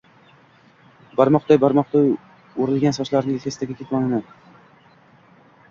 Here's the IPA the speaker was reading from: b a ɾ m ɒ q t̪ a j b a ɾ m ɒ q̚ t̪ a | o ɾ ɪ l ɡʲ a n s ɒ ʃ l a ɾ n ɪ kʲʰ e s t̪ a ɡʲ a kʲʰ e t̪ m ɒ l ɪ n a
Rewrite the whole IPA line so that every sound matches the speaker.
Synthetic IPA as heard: b a ɾ m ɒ q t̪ a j b a ɾ m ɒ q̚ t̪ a | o ɾ ɪ l ɡʲ a n s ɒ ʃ l a ɾ n ɪ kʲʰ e s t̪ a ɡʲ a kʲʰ e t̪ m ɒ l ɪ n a